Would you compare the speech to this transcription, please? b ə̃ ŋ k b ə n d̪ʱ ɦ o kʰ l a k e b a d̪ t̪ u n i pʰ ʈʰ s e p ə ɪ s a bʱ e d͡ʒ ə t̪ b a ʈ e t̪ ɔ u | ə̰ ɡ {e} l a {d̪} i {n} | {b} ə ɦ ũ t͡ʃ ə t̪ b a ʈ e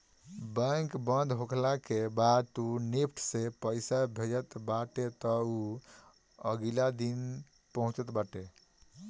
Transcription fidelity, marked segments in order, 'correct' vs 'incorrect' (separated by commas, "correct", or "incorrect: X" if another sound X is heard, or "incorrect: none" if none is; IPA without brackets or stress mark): incorrect: i, correct, correct, incorrect: p